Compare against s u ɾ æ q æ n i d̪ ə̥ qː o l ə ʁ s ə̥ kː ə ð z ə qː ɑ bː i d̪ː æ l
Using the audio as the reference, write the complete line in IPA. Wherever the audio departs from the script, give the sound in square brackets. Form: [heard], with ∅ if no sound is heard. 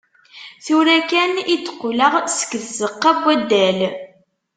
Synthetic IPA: [θ] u ɾ æ [k] æ n i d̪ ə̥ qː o l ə ʁ s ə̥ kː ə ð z ə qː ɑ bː [æ] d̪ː æ l

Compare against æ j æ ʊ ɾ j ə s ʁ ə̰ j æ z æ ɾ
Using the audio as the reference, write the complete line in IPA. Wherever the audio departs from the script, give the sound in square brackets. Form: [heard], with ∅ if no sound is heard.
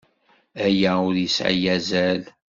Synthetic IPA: æ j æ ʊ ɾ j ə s [ʕ] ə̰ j æ z æ [l]

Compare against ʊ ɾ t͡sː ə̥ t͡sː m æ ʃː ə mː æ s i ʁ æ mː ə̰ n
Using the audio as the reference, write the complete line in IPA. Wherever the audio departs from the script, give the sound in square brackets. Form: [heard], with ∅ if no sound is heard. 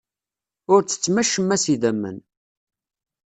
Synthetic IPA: ʊ ɾ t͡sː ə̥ t͡sː m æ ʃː ə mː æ s i [ð] æ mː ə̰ n

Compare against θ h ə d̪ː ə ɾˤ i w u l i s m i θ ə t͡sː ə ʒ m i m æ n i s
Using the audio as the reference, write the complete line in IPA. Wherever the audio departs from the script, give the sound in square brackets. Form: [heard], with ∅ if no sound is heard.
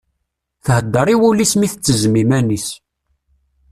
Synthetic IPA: θ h ə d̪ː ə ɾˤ i w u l i s m i θ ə t͡sː ə [z] m i m æ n i s

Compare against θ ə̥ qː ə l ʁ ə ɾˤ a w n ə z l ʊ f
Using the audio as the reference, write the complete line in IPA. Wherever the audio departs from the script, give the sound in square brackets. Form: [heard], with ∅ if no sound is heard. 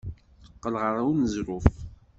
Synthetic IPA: θ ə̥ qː ə l ʁ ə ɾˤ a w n ə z [ɾ] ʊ f

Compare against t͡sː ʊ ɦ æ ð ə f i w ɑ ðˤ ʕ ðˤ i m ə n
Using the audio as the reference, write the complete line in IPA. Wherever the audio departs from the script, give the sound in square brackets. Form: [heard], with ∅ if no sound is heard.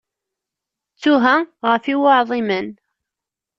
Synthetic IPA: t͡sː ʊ ɦ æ [ʁ] ə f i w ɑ [∅] ʕ ðˤ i m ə n

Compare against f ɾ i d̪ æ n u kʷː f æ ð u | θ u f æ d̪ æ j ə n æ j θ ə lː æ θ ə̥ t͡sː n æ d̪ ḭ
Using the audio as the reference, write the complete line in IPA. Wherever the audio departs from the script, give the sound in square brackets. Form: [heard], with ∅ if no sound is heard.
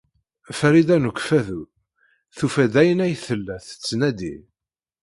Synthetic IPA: f ɾ i d̪ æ n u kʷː f æ ð u | θ u f æ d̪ æ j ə n æ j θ ə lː æ θ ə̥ t͡sː n æ d̪ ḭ

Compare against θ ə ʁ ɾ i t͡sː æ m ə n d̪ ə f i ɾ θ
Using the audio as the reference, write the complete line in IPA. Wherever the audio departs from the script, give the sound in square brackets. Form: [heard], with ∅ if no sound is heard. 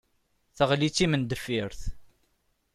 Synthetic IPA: θ ə ʁ [l] i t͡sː [i] m ə n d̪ ə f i ɾ θ

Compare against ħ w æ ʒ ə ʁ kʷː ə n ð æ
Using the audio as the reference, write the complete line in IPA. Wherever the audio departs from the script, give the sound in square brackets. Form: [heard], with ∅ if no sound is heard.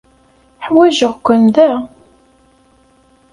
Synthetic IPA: ħ w æ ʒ ə ʁ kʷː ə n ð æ

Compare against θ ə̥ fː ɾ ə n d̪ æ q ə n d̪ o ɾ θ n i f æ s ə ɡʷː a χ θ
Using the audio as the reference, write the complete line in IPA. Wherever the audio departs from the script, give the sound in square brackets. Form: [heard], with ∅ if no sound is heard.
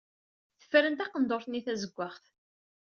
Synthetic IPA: θ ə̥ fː ɾ ə n [t̪] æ q ə n d̪ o ɾ θ n i [θ] æ [z] ə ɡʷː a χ θ

